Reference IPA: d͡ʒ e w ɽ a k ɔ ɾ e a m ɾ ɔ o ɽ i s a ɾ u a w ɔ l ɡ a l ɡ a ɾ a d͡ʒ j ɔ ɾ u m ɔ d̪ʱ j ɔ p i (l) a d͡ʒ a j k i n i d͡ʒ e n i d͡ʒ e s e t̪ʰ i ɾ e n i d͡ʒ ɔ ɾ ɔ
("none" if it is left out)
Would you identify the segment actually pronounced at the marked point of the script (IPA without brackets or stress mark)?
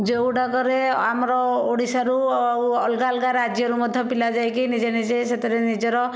l